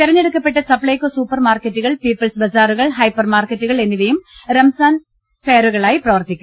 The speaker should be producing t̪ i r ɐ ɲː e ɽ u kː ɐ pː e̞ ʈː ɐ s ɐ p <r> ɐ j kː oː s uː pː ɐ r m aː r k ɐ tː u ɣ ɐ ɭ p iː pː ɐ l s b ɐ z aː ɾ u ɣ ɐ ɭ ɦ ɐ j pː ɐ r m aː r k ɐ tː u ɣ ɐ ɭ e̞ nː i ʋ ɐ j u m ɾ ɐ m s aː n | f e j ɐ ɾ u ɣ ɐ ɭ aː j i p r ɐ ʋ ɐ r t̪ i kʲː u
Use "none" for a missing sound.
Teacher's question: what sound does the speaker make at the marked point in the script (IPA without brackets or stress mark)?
ɭ